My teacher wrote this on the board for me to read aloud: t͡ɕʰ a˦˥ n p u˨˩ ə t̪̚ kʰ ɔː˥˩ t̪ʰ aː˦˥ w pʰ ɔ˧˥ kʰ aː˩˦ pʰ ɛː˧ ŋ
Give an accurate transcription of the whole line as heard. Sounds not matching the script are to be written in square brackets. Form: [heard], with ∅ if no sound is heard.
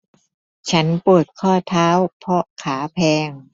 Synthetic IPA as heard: t͡ɕʰ a˦˥ n p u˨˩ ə t̪̚ kʰ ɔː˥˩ t̪ʰ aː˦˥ w pʰ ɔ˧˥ kʰ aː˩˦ pʰ ɛː˧ ŋ